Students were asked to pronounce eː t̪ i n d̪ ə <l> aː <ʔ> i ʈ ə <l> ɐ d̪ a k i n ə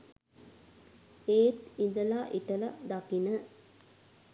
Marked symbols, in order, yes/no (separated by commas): yes, yes, yes